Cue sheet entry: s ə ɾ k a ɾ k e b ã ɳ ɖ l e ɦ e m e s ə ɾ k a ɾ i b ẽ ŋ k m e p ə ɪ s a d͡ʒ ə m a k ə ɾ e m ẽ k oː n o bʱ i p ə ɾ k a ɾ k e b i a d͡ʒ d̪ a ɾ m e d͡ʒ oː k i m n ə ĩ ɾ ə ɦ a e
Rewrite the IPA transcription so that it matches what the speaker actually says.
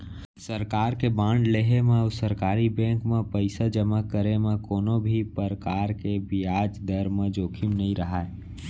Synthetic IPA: s ə ɾ k a ɾ k e b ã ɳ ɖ l e ɦ e m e s ə ɾ k a ɾ i b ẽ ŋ k m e p ə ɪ s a d͡ʒ ə m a k ə ɾ e m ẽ k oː n o bʱ i p ə ɾ k a ɾ k e b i a d͡ʒ d̪ ə ɾ m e d͡ʒ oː kʰ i m n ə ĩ ɾ ə ɦ a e